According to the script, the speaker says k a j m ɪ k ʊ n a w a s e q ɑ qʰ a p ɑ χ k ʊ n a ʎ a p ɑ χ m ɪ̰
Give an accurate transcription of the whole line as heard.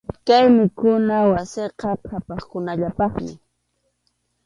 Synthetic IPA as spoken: k a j m ɪ k ʊ n a w a s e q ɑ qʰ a p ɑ χ k ʊ n a ʎ a p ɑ χ m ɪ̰